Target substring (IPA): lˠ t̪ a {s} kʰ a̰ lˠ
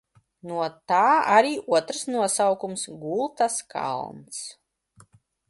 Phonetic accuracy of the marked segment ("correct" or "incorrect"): correct